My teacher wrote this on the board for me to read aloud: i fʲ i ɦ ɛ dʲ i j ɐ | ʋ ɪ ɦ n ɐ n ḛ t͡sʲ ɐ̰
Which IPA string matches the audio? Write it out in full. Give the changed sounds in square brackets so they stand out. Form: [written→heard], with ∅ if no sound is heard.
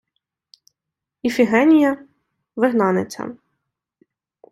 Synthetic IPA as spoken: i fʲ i ɦ ɛ [dʲ→nʲ] i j ɐ | ʋ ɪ ɦ n [ɐ→ɑ] n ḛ t͡sʲ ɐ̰